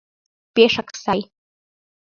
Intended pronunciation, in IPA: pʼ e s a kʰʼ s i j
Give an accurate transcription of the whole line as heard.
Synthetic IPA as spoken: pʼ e ʂ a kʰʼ s a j